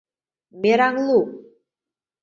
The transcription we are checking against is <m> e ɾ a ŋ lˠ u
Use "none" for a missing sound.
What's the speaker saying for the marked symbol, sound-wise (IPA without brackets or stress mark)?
m